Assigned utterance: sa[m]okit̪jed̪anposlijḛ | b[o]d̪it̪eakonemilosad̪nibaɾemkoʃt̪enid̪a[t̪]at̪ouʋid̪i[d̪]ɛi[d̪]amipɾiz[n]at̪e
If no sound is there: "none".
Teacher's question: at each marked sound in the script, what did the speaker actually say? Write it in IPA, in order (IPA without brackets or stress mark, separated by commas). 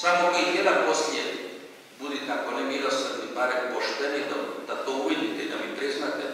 m, u, d̪, t̪, d̪, n